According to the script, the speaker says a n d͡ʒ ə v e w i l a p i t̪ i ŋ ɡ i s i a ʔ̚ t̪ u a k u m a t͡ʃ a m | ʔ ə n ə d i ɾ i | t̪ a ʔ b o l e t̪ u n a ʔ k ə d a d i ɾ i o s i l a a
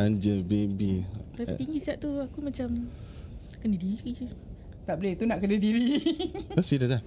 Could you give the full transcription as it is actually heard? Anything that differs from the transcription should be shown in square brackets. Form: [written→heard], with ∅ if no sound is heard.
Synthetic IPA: a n d͡ʒ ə [v→b] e [w→b] i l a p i t̪ i ŋ ɡ i s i a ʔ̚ t̪ u a k u m a t͡ʃ a m | [ʔ→k] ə n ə d i ɾ i | t̪ a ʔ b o l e t̪ u n a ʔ k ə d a d i ɾ i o s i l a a